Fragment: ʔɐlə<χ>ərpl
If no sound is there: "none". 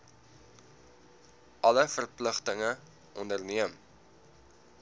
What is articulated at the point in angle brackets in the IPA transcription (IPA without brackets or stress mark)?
f